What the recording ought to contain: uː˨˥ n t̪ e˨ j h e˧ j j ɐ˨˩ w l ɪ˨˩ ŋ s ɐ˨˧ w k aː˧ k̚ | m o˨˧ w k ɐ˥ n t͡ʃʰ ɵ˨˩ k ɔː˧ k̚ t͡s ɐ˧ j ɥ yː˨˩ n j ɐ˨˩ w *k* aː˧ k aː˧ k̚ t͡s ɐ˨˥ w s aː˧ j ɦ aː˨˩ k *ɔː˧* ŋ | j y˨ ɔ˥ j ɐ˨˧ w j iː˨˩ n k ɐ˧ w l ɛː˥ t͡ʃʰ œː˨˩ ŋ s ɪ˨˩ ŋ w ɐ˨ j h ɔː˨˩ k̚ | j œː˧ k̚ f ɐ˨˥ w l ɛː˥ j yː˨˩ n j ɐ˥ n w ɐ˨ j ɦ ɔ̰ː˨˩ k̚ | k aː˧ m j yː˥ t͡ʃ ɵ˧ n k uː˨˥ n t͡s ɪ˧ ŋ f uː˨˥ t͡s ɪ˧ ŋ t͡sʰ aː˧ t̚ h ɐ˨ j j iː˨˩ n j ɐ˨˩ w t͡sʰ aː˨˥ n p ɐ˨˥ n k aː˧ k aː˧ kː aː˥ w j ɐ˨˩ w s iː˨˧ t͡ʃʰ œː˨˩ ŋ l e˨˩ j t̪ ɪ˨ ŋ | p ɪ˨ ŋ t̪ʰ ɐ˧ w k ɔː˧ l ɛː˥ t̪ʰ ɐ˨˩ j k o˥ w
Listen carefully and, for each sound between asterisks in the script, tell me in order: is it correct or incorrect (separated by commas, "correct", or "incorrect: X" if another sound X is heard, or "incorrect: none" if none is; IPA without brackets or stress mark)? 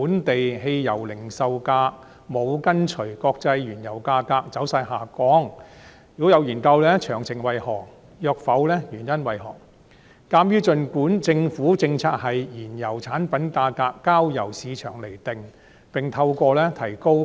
correct, incorrect: ɔː˨˥